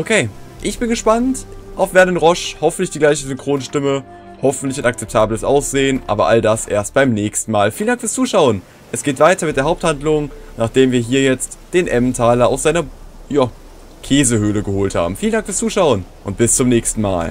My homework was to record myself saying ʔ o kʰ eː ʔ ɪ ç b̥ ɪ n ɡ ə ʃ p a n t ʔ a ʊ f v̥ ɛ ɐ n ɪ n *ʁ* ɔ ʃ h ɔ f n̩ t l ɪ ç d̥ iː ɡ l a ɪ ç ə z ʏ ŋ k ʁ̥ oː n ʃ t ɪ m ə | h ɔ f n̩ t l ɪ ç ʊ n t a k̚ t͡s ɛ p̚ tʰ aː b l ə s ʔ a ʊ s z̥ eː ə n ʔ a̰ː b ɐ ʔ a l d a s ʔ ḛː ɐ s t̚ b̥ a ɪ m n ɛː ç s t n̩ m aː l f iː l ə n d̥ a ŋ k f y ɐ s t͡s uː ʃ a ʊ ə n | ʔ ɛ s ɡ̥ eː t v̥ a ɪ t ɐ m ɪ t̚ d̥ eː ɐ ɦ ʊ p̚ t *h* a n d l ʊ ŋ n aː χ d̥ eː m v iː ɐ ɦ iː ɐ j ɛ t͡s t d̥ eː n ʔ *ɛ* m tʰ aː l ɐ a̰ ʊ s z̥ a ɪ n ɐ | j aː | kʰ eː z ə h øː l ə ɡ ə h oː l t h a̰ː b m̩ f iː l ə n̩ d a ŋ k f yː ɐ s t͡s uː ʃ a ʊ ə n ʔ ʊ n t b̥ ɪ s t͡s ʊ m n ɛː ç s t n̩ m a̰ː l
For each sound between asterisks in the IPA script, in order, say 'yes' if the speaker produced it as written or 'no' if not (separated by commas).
yes, yes, yes